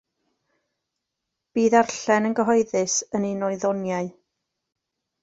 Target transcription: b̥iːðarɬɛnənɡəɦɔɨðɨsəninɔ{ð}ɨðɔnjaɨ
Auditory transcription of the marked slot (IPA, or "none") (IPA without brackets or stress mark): none